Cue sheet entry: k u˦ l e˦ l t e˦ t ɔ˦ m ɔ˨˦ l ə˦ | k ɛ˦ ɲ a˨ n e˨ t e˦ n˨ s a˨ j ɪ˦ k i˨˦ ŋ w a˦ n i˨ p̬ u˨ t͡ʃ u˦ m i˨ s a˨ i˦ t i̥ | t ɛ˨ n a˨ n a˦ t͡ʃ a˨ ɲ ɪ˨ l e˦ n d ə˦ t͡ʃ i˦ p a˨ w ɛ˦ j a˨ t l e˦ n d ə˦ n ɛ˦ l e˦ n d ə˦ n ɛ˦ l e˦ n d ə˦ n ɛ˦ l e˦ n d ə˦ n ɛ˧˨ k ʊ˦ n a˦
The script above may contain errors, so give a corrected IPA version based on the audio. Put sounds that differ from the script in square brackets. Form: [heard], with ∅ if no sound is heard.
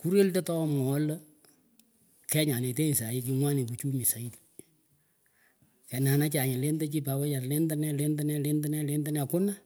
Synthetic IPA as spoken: k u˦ [ɾ] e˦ l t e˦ t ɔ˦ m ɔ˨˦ l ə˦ | k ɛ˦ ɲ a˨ n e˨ t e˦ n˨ s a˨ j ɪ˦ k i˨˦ ŋ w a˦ n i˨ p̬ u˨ t͡ʃ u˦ m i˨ s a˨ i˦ t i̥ | [k] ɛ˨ n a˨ n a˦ t͡ʃ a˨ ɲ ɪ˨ l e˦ n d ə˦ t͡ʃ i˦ p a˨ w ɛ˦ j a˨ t l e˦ n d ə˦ n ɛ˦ l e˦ n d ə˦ n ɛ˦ l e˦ n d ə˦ n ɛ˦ l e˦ n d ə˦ n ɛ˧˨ k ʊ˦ n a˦